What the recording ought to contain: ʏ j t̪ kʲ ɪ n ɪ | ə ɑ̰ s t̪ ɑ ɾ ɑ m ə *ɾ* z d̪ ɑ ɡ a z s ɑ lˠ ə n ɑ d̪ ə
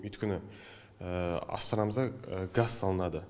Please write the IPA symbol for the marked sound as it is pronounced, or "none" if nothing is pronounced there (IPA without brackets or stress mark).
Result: none